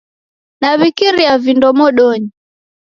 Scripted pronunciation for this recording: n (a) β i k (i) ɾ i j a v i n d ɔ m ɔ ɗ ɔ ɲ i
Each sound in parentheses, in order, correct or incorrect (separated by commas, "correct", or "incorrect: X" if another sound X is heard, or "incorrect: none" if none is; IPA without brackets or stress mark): correct, correct